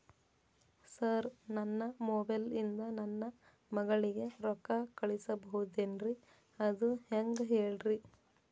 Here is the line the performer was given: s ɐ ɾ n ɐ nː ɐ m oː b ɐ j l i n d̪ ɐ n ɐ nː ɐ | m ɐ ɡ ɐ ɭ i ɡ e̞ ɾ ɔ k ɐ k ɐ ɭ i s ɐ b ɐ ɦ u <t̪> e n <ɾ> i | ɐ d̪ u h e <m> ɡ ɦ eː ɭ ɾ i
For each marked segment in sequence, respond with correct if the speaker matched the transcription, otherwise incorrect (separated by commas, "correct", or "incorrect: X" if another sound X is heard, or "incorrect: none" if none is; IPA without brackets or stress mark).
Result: incorrect: d̪, correct, incorrect: ŋ